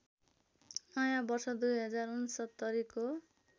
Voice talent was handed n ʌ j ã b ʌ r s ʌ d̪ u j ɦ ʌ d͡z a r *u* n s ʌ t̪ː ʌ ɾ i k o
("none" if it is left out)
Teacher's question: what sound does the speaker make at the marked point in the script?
u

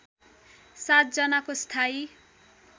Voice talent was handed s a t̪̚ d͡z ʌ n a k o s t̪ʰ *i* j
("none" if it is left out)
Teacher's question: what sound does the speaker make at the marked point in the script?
a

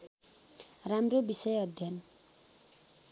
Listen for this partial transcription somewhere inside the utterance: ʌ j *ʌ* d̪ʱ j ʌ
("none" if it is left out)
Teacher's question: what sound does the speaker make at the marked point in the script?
ʌ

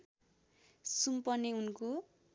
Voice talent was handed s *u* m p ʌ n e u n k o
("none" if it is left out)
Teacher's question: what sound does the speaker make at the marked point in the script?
u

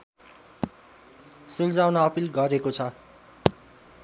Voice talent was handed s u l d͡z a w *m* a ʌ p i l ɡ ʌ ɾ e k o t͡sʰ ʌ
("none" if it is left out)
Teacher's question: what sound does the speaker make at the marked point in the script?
n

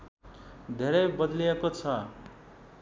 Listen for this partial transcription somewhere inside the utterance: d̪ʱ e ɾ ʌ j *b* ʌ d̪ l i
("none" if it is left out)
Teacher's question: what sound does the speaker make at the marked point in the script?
b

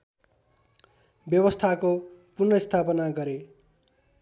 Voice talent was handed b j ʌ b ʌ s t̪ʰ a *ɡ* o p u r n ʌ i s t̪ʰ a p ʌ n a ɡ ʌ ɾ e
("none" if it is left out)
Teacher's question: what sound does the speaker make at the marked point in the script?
k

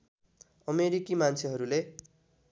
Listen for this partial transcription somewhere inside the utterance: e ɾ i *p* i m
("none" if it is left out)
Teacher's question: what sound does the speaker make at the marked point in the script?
k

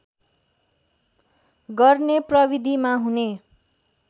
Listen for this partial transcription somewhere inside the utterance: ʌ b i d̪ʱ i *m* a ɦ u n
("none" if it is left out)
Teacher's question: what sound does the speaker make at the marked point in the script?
m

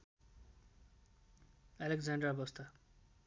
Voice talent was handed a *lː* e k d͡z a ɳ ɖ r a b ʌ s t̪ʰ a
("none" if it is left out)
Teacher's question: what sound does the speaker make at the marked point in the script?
l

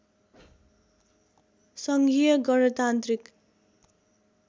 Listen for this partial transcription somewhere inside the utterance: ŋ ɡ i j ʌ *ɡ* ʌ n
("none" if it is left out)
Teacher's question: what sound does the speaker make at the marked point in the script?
ɡ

